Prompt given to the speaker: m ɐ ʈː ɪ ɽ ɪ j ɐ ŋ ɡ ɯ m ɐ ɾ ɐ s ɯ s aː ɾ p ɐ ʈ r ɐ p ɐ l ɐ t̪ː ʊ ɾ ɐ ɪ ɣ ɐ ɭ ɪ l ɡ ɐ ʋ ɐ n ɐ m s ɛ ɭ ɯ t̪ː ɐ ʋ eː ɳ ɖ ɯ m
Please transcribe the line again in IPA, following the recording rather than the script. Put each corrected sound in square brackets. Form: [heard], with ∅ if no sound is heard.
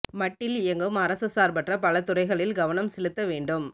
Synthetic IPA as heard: m ɐ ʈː ɪ [l] ɪ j ɐ ŋ ɡ ɯ m ɐ ɾ ɐ s ɯ s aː ɾ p ɐ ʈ r ɐ p ɐ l ɐ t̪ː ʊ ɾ ɐ ɪ ɣ ɐ ɭ ɪ l ɡ ɐ ʋ ɐ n ɐ m s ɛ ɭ ɯ t̪ː ɐ ʋ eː ɳ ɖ ɯ m